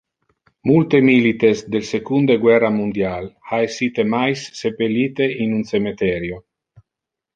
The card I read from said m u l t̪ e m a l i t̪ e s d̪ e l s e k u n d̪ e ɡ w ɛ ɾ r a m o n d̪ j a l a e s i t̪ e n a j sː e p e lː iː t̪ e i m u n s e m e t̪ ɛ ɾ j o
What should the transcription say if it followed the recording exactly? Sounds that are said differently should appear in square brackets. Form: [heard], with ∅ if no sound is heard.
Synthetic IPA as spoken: m u l t̪ e m [i] l i t̪ e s d̪ e l s e k u n d̪ e ɡ w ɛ [∅] r a m [u] n d̪ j a l a e s i t̪ e [m] a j sː e p e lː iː t̪ e i [n] u n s e m e t̪ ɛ ɾ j o